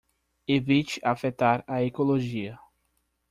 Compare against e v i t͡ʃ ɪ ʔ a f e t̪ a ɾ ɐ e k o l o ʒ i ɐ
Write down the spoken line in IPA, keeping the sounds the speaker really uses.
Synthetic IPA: e v i t͡ʃ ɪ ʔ a f e t̪ a ɾ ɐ e k o l o ʒ i ɐ